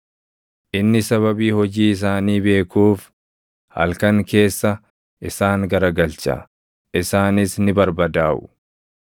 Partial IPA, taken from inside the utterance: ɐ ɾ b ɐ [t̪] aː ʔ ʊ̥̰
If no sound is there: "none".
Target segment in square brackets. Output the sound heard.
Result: d̪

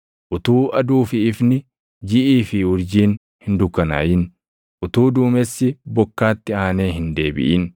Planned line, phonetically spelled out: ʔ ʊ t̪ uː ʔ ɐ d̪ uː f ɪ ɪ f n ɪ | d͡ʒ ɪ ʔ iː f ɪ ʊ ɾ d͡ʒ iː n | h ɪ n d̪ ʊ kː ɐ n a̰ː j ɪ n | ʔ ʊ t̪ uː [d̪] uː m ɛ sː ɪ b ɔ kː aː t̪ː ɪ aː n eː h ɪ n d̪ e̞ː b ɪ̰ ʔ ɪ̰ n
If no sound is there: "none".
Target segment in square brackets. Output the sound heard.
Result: d̪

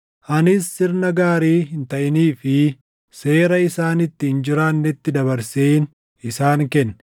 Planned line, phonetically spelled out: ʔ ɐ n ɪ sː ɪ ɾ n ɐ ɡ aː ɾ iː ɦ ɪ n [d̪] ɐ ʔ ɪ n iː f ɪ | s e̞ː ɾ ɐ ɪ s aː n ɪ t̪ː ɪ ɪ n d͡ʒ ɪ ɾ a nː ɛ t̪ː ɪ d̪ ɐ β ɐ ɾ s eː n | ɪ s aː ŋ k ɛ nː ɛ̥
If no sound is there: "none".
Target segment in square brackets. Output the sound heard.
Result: t̪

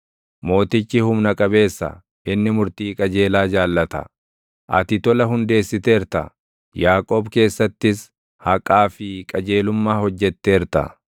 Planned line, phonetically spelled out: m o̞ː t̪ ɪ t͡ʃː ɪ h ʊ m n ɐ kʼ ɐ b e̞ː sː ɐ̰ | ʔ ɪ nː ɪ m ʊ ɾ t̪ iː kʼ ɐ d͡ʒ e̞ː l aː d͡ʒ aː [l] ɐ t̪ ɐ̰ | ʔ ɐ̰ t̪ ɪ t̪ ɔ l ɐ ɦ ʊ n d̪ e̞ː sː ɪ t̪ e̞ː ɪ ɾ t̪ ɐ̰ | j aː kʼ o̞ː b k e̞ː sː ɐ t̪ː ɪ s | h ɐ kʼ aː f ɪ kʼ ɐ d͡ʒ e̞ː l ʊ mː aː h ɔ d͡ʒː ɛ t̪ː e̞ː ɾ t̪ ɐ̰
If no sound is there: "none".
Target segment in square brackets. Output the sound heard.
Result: lː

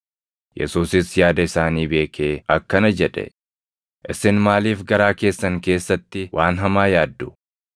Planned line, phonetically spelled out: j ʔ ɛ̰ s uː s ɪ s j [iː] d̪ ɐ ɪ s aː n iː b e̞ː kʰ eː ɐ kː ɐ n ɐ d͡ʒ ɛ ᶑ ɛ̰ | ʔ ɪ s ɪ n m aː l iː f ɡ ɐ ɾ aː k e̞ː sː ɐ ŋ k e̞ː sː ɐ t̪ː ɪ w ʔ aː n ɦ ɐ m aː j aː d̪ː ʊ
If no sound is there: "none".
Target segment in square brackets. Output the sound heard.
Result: aː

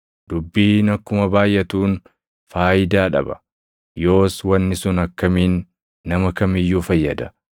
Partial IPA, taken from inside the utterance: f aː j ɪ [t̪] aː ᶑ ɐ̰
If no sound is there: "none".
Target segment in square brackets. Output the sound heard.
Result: d̪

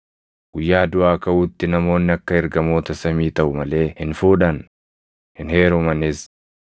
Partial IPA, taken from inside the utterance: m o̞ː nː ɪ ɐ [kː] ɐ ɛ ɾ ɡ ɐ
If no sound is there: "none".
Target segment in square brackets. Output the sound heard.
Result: kː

